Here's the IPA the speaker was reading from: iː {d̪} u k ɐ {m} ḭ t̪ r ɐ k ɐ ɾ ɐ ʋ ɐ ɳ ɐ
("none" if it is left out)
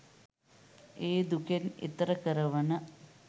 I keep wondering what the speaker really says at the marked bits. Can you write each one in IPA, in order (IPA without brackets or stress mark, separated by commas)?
d̪, n